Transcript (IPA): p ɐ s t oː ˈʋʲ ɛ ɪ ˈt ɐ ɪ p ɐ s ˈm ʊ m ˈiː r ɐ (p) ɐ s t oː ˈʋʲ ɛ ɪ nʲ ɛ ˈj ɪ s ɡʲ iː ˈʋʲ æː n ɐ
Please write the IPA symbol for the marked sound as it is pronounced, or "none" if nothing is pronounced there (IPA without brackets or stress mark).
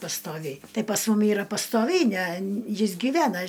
p